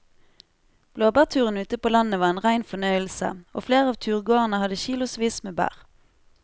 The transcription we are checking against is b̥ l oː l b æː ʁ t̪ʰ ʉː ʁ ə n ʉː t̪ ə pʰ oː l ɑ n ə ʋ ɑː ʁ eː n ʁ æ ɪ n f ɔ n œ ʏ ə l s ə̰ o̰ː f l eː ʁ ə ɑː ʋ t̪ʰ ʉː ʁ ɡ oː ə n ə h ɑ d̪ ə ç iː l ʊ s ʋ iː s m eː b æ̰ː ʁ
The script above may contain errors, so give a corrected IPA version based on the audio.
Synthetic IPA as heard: b̥ l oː b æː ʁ t̪ʰ ʉː ʁ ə n ʉː t̪ ə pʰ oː l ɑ n ə ʋ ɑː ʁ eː n ʁ æ ɪ n f ɔ n œ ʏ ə l s ə̰ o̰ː f l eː ʁ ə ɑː ʋ t̪ʰ ʉː ʁ ɡ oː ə n ə h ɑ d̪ ə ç iː l ʊ s ʋ iː s m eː b æ̰ː ʁ